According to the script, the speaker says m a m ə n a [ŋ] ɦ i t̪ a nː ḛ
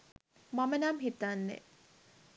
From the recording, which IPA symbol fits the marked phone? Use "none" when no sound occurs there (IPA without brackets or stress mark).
m